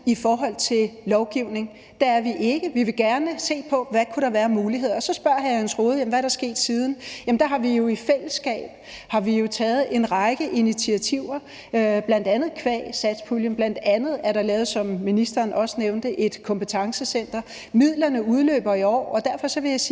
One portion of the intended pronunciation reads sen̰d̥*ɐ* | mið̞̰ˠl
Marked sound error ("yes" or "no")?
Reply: no